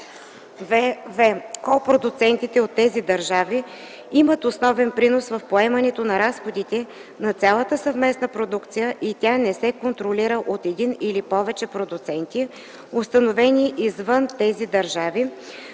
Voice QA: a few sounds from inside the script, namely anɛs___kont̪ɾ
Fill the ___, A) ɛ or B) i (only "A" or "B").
A